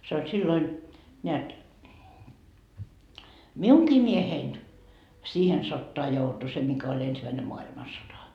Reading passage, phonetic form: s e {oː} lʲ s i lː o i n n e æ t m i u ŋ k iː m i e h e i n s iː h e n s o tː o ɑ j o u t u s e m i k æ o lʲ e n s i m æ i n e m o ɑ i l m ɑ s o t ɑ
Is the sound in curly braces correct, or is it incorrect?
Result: incorrect: o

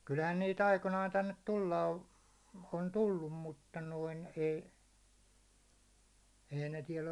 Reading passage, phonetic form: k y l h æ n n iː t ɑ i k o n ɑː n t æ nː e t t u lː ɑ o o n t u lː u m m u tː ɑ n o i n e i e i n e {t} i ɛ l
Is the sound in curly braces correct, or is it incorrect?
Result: correct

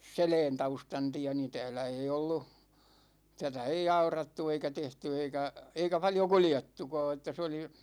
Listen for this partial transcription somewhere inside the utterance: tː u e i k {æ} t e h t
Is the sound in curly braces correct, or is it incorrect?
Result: correct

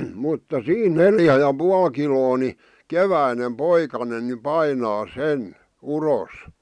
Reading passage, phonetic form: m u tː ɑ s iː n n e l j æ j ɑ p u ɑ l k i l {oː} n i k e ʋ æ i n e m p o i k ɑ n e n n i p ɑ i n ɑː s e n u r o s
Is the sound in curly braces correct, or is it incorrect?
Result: correct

